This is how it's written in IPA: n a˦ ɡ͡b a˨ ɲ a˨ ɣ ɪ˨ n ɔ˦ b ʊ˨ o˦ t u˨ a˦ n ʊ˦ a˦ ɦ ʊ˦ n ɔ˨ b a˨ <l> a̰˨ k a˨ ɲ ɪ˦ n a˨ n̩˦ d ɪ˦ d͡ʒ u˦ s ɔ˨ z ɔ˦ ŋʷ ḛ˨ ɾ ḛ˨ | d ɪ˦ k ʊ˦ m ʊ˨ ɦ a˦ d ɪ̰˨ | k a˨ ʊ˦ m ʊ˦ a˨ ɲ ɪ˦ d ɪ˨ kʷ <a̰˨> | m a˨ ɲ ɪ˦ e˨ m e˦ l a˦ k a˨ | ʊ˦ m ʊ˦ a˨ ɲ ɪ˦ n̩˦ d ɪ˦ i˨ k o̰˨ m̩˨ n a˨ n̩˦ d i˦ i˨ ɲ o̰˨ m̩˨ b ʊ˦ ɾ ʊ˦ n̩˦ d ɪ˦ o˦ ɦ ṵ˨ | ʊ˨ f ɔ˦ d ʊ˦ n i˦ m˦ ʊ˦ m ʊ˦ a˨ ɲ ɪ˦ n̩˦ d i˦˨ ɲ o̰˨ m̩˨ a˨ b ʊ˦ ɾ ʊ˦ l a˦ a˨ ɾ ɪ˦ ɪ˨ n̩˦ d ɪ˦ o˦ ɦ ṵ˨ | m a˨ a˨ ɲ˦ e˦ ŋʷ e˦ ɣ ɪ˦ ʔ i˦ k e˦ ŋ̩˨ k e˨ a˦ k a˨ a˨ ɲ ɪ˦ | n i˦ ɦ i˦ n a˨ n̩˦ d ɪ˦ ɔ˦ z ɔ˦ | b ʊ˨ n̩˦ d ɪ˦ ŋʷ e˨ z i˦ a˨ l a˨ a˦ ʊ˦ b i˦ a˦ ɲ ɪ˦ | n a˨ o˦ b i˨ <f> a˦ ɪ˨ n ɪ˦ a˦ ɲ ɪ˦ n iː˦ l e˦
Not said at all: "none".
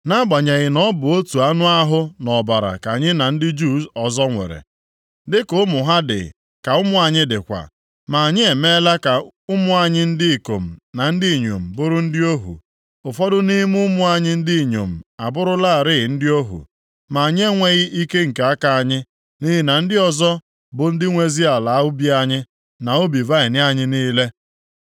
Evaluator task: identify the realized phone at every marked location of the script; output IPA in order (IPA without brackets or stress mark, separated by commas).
ɾ, a̰˨, v